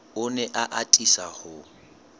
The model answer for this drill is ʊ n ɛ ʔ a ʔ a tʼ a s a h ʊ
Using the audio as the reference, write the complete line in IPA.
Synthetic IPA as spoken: ʊ n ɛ ʔ a ʔ a tʼ i s a h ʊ